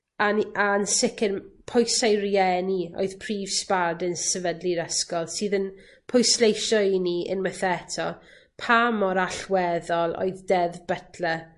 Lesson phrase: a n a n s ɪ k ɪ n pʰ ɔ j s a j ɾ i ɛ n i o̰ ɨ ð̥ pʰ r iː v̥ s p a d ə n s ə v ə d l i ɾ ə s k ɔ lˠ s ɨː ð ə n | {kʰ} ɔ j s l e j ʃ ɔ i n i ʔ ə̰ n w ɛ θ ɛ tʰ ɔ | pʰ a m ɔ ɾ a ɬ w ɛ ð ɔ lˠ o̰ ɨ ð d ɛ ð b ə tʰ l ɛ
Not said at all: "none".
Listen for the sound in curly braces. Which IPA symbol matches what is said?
pʰ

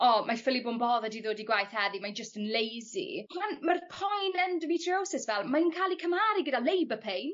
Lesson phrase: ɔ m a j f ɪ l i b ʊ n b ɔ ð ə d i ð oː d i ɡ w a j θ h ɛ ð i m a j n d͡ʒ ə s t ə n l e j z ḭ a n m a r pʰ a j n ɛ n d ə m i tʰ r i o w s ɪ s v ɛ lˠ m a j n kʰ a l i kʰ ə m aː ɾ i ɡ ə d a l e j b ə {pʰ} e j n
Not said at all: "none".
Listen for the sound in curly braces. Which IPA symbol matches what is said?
pʰ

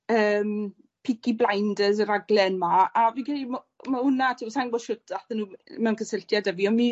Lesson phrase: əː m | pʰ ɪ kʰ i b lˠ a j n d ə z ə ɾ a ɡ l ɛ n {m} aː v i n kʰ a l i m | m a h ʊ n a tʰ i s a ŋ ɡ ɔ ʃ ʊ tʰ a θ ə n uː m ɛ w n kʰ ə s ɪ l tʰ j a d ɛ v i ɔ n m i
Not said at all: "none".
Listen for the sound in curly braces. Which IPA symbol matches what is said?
m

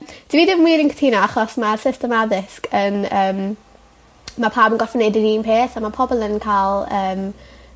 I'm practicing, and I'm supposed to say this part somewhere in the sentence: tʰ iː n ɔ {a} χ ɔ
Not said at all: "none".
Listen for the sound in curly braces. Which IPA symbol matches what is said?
a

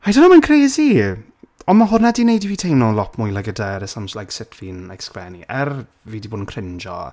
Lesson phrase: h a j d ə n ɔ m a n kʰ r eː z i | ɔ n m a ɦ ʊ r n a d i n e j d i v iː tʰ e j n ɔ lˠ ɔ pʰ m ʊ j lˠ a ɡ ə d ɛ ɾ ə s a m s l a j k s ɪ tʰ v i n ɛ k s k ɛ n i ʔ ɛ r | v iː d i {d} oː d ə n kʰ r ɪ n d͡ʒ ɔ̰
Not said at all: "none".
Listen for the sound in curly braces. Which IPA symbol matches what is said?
b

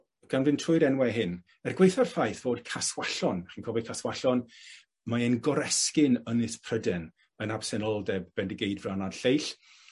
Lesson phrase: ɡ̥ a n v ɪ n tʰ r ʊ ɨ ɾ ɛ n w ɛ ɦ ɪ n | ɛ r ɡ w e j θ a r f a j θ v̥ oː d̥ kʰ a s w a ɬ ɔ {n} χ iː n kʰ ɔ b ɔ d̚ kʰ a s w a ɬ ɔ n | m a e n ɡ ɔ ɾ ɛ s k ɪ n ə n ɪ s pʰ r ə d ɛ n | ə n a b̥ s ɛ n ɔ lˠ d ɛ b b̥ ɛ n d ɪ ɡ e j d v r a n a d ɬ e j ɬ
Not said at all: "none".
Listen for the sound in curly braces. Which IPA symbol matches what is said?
n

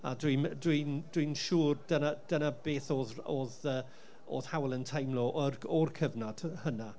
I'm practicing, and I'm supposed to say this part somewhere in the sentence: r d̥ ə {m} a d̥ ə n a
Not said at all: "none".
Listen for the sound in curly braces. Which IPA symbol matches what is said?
n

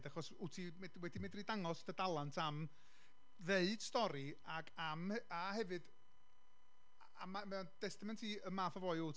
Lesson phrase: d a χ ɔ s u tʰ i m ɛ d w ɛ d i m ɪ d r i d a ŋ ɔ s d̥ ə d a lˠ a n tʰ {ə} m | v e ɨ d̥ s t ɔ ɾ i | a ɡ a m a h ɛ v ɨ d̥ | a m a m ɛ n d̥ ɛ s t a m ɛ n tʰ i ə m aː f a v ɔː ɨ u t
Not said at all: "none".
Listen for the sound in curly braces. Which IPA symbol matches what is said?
a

